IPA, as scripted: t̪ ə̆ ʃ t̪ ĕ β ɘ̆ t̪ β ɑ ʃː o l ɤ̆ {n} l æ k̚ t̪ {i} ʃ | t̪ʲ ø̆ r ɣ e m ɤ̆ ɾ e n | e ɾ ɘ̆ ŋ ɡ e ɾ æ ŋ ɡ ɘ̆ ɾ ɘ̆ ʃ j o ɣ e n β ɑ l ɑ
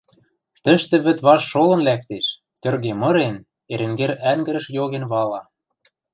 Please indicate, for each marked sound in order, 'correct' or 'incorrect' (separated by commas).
correct, incorrect